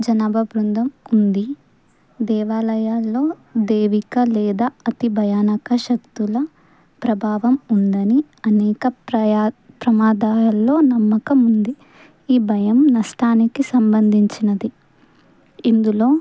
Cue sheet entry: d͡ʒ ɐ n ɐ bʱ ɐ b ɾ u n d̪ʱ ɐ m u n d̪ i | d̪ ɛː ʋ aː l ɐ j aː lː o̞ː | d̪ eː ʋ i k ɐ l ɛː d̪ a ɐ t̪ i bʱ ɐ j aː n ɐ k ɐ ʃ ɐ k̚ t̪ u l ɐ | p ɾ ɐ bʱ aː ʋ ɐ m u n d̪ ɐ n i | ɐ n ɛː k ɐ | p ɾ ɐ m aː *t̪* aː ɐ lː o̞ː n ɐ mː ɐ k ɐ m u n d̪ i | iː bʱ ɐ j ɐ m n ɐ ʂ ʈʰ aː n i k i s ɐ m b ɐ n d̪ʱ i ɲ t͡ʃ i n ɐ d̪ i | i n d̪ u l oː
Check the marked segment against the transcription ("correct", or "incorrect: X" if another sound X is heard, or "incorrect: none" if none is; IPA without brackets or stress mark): incorrect: d̪